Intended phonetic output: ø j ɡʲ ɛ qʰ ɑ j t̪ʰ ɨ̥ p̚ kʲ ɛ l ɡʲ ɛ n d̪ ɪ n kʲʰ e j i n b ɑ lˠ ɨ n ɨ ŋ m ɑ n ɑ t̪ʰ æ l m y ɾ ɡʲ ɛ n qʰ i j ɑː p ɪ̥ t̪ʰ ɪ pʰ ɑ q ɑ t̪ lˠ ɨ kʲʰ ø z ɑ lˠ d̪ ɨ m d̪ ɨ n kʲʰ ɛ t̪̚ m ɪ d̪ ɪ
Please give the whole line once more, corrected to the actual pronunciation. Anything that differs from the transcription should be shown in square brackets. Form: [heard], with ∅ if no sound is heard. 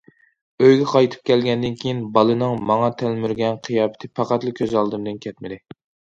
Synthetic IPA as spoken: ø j ɡʲ ɛ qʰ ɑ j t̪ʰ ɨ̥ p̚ kʲ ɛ l ɡʲ ɛ n d̪ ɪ n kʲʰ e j i n b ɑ lˠ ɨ n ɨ ŋ m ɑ [ŋ] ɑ t̪ʰ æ l m y ɾ ɡʲ ɛ n qʰ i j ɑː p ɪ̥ t̪ʰ ɪ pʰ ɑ q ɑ t̪ lˠ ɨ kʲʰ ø z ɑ lˠ d̪ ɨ m d̪ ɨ n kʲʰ ɛ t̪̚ m ɪ d̪ ɪ